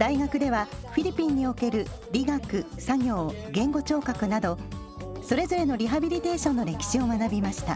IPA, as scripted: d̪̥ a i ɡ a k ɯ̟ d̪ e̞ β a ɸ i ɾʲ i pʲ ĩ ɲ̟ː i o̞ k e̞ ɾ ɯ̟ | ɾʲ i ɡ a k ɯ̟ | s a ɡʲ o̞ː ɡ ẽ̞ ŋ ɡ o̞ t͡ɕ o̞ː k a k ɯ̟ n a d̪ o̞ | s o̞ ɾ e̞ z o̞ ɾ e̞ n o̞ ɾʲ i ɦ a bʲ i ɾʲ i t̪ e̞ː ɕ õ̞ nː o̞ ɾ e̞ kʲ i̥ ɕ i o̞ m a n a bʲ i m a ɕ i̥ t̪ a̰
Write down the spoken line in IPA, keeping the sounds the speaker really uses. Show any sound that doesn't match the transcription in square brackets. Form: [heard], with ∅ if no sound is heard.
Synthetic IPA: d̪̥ a i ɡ a k ɯ̟ d̪ e̞ β a ɸ i ɾʲ i pʲ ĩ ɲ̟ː i o̞ k e̞ ɾ ɯ̟ | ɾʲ i ɡ a k ɯ̟ | s a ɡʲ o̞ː ɡ ẽ̞ ŋ ɡ o̞ t͡ɕ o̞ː k a k ɯ̟ n a d̪ o̞ | s o̞ ɾ e̞ z o̞ ɾ e̞ n o̞ ɾʲ i ɦ a bʲ i ɾʲ i t̪ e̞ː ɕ õ̞ nː o̞ ɾ e̞ kʲ i̥ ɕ i o̞ m a n a bʲ i m a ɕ i̥ t̪ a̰